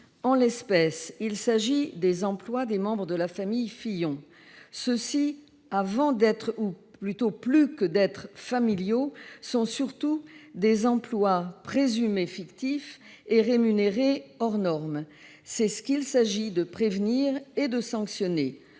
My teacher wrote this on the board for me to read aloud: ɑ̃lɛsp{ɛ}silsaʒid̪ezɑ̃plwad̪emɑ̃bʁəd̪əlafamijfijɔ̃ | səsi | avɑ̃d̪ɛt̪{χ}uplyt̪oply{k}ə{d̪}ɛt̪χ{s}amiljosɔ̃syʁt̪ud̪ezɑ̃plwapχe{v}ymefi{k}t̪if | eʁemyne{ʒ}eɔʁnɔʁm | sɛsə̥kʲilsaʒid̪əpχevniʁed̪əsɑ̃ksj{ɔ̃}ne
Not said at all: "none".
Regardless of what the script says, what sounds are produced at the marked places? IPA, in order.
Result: ɛ, χ, k, d̪, f, z, k, ʁ, ɔ

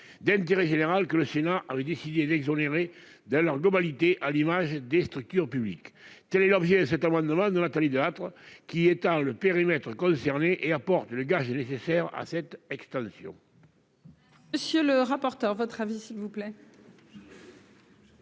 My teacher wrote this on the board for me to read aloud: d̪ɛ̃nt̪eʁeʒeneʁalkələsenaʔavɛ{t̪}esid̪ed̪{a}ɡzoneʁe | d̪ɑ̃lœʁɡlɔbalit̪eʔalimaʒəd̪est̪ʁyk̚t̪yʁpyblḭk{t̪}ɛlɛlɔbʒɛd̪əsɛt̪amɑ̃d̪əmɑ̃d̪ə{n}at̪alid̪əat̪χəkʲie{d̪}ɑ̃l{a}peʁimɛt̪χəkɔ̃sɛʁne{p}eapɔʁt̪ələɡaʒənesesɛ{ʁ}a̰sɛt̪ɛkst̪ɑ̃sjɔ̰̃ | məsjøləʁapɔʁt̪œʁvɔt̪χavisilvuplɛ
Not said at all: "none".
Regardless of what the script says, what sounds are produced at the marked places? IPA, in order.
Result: d̪, ɛ, t̪, n, t̪, ə, ʔ, ʁ

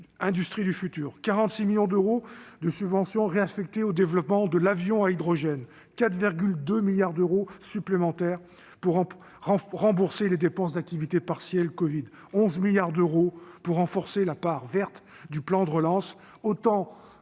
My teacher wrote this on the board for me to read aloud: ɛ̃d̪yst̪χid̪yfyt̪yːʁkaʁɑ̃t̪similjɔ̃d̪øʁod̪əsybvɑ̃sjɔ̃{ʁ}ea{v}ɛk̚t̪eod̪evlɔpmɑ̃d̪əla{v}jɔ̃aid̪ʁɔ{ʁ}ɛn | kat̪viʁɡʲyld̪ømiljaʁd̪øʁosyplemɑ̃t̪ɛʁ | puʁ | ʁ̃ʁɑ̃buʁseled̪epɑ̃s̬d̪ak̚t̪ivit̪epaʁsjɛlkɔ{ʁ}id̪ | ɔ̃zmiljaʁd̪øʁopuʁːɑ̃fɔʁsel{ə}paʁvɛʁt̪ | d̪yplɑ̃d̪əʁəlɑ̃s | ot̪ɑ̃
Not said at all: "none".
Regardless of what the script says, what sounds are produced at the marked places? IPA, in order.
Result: ʁ, f, v, ʒ, v, a

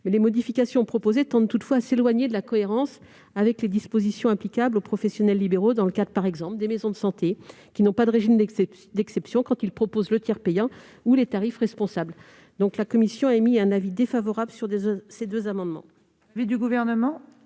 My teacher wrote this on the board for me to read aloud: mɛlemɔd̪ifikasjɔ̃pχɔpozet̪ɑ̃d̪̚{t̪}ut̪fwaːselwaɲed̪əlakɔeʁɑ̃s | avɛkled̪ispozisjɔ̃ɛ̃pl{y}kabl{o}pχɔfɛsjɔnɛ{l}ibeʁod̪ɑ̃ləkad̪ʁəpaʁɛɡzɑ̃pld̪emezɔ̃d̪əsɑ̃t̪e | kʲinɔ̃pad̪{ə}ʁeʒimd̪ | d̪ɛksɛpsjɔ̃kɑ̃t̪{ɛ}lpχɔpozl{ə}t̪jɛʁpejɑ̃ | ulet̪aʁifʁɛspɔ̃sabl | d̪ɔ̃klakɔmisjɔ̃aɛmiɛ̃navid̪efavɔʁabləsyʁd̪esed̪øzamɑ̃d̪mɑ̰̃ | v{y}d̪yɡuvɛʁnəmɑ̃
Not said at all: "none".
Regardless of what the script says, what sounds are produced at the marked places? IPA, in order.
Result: t̪, i, o, lː, ə, i, ə, i

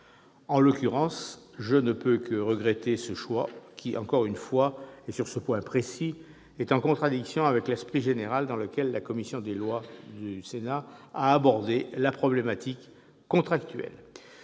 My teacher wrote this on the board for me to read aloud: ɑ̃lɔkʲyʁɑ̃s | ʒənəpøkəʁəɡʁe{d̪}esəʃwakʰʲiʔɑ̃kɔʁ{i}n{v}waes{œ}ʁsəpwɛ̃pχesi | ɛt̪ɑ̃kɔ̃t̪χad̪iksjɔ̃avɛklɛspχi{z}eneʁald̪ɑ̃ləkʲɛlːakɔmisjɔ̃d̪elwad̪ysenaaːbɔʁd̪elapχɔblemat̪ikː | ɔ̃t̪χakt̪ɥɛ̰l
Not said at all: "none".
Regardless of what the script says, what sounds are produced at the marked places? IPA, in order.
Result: t̪, y, f, y, ʒ

